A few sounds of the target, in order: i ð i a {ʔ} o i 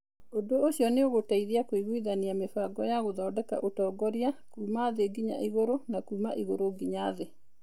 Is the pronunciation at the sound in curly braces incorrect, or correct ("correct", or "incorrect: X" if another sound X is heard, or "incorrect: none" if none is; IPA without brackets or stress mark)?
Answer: incorrect: k